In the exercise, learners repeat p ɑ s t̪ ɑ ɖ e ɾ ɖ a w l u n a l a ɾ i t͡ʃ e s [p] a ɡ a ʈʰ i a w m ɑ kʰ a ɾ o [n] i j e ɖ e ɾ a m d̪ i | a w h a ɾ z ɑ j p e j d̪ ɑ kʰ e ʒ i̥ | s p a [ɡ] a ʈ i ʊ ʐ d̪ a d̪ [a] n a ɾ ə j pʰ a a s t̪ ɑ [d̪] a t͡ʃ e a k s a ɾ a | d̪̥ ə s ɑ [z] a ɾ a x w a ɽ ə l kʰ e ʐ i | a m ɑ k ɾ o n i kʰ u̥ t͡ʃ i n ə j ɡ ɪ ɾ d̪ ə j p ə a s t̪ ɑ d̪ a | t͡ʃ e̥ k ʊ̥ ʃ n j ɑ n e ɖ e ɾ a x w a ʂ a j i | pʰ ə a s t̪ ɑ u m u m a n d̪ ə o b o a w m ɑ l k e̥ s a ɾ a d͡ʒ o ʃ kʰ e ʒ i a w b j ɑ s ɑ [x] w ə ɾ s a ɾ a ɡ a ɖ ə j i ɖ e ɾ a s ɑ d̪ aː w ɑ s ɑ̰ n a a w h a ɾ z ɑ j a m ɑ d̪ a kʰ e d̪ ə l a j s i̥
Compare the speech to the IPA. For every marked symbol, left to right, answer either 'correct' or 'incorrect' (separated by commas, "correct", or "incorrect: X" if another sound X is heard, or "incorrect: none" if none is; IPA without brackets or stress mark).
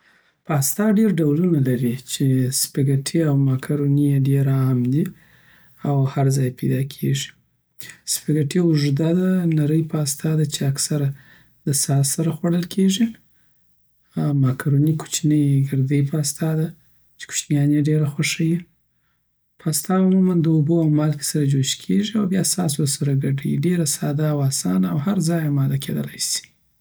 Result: correct, correct, correct, correct, correct, incorrect: s, incorrect: s